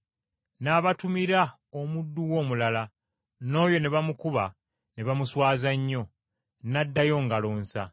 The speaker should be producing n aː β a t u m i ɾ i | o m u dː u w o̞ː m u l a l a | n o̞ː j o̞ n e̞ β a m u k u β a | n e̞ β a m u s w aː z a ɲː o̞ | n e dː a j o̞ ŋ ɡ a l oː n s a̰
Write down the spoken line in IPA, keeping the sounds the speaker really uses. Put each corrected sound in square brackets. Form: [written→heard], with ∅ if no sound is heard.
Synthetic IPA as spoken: n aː β a t u m i ɾ [i→a] | o m u dː u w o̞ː m u l a l a | n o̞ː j o̞ n e̞ β a m u k u β a | n e̞ β a m u s w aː z a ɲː o̞ | n [e→a] dː a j o̞ ŋ ɡ a l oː n s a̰